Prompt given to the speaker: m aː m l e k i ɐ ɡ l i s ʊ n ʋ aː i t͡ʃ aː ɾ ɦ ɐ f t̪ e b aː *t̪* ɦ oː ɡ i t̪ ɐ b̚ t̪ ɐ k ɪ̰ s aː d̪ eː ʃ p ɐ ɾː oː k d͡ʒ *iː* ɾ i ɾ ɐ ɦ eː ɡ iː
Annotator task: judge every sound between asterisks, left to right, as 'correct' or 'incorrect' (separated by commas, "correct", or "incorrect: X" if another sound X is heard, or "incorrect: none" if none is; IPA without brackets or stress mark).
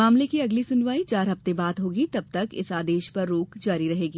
incorrect: d̪, incorrect: aː